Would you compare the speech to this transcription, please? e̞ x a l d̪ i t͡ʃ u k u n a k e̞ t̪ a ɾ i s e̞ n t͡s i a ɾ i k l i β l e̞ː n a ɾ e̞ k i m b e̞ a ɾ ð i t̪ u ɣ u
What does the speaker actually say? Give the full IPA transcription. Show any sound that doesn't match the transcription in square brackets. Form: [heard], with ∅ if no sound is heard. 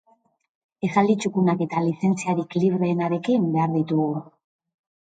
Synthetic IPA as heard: e̞ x a l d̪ i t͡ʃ u k u n a k e̞ t̪ a [l] i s e̞ n t͡s i a ɾ i k l i β [ɾ] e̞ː n a ɾ e̞ k i m b e̞ a ɾ ð i t̪ u ɣ u